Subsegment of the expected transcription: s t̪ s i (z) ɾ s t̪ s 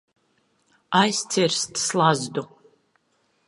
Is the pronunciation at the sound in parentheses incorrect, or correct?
incorrect